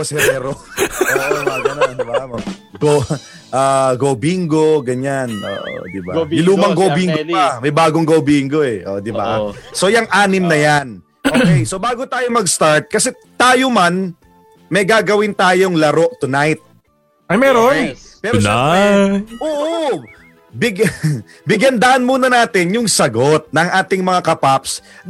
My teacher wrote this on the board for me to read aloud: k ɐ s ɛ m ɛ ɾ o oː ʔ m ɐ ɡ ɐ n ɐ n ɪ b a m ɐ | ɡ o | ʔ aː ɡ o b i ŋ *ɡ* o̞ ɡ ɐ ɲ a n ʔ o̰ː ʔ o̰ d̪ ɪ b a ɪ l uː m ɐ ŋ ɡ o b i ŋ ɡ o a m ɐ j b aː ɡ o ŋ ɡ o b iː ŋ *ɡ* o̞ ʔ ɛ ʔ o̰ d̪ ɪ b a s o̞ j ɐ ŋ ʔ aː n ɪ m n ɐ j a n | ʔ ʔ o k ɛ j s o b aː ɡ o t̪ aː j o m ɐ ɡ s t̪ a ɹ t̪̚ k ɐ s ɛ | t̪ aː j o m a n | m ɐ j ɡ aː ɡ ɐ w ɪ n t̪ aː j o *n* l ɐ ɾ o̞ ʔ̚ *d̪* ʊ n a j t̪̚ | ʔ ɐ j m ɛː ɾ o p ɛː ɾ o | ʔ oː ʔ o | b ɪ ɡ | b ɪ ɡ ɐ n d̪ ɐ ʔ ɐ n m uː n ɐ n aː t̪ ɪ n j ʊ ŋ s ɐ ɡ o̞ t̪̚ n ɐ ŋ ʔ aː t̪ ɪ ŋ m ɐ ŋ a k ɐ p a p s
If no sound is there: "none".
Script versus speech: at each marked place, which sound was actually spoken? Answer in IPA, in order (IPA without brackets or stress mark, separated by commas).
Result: ɡ, ɡ, ŋ, t̪